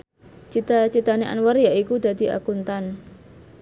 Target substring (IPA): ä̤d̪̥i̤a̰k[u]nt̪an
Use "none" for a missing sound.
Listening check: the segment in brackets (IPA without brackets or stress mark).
u